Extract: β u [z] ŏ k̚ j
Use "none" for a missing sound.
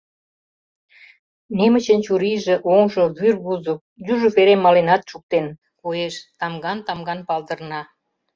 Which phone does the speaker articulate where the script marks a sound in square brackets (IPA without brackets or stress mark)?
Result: z